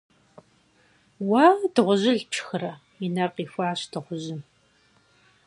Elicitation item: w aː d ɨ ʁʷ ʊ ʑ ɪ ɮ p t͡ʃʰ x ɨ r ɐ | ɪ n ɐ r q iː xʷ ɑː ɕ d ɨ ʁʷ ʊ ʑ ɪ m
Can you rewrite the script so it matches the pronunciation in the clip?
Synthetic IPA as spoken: w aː d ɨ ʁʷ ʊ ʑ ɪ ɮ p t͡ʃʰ x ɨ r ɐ | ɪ n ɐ r q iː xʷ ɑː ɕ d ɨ ʁʷ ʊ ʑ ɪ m